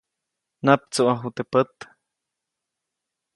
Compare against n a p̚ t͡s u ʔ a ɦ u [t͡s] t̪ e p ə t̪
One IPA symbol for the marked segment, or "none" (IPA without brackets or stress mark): none